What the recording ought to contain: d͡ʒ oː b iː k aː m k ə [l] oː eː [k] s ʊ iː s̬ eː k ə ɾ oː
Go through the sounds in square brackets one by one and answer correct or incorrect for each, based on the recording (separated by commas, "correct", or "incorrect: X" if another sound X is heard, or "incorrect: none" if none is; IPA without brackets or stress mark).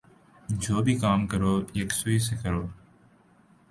incorrect: ɾ, correct